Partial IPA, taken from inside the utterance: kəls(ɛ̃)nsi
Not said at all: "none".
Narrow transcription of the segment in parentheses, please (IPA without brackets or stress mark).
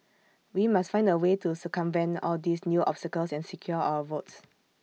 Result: ɛ̃